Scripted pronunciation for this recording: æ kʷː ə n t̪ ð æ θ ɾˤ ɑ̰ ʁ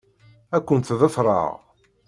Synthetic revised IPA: æ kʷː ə n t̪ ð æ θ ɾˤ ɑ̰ ʁ